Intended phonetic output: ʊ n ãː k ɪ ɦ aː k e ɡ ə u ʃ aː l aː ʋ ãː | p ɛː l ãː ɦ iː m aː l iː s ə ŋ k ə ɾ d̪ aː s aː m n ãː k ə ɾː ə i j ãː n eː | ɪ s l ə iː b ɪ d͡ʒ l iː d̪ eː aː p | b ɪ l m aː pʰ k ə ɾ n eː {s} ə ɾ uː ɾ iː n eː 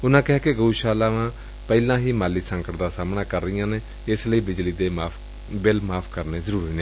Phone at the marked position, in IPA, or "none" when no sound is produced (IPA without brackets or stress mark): z